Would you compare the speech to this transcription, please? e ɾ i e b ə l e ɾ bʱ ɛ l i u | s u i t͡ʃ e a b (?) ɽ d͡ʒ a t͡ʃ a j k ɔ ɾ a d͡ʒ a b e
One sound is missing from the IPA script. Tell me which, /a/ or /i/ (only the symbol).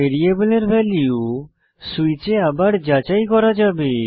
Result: a